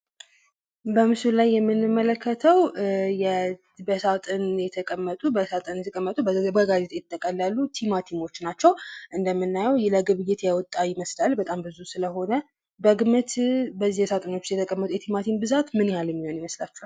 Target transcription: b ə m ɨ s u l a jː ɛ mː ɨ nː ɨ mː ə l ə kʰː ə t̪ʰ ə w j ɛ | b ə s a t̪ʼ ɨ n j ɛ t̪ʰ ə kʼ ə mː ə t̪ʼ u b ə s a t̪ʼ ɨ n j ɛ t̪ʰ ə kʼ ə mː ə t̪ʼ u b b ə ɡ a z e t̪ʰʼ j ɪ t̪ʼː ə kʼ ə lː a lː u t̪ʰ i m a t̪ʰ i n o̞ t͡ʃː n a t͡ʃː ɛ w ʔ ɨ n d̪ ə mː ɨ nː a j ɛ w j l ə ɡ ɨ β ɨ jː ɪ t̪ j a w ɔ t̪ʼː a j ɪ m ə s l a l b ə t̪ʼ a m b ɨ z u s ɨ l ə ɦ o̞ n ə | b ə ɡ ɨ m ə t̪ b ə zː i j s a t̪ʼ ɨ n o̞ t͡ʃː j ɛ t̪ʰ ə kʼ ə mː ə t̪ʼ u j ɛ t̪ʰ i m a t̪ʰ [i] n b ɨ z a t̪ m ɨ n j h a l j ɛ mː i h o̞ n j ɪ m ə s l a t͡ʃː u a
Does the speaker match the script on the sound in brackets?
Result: yes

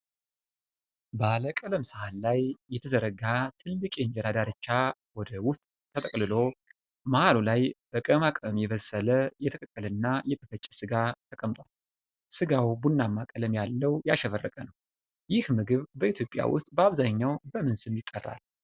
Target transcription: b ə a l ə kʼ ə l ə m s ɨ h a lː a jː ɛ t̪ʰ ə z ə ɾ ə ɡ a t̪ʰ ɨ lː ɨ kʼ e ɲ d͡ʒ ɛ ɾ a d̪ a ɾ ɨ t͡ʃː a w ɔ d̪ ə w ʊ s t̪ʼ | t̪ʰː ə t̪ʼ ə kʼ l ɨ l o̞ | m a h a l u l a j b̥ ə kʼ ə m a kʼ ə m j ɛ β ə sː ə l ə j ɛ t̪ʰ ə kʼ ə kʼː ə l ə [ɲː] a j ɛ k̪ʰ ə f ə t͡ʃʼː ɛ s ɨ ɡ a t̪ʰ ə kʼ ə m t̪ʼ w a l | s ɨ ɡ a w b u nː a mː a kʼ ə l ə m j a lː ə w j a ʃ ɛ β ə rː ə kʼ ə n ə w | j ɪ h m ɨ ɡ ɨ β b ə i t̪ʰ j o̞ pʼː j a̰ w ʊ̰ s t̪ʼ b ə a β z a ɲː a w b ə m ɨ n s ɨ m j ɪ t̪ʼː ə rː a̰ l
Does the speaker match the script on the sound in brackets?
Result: no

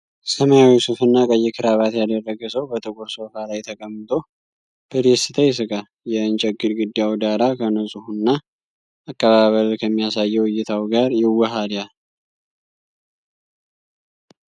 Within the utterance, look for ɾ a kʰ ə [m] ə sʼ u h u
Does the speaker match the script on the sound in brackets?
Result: no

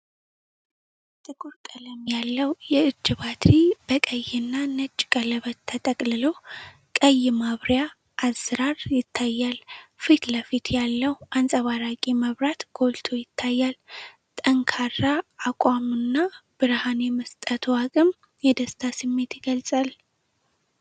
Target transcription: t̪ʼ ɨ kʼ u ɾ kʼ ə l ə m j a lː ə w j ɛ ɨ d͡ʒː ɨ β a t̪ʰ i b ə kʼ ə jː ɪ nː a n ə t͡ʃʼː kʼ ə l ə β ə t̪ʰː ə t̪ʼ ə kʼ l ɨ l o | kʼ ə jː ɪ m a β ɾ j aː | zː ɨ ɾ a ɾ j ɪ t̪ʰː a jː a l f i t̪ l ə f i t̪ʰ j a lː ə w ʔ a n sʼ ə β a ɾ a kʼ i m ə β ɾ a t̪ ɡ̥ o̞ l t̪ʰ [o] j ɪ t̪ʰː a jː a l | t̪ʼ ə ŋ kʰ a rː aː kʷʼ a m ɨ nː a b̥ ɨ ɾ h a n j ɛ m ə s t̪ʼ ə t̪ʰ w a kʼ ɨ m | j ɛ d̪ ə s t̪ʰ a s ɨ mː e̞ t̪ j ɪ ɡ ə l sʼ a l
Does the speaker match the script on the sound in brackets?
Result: yes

